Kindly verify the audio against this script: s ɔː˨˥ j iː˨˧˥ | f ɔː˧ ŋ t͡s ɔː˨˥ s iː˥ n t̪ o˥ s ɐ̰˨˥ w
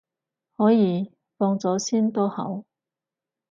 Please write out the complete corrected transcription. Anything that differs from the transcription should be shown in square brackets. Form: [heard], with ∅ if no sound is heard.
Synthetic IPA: [h] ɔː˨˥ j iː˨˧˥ | f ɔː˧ ŋ t͡s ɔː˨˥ s iː˥ n t̪ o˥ [h] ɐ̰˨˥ w